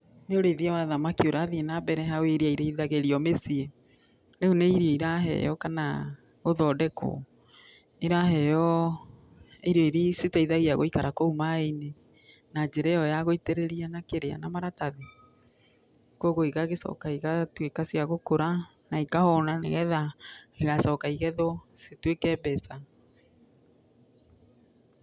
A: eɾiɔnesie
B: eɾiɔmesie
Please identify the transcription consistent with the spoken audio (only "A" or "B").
B